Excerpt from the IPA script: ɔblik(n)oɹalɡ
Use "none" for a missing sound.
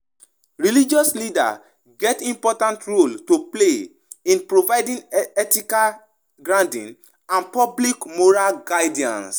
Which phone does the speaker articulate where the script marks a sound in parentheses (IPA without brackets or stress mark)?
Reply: m